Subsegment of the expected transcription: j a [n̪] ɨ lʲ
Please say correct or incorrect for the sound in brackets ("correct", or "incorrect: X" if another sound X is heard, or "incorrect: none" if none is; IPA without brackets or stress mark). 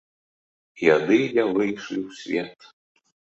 incorrect: d̪